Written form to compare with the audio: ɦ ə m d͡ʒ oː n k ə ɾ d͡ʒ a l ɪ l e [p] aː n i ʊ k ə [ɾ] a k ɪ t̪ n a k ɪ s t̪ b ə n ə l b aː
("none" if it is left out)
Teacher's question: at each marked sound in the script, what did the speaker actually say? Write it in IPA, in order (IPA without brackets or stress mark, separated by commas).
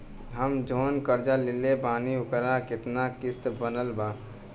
b, ɾ